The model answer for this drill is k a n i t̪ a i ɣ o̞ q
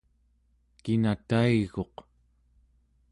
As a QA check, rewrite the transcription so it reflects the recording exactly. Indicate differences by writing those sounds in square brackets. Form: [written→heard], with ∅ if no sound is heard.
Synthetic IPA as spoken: k [a→i] n [i→a] t̪ a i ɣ o̞ q